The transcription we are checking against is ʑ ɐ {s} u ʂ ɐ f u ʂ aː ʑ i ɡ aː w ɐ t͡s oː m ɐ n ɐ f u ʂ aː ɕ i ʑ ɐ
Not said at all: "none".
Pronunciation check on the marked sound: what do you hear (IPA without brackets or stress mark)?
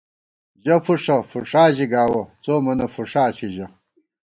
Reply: f